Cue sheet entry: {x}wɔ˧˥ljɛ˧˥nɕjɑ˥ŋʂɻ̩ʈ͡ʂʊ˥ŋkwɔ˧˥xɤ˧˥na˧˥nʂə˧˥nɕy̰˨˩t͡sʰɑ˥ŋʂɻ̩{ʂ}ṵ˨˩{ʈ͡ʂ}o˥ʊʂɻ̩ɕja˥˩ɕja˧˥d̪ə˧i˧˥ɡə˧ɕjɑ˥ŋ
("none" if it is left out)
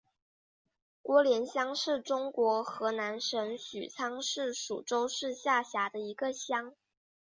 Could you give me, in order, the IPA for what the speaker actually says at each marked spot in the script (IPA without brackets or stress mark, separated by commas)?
k, ʂ, ʈ͡ʂ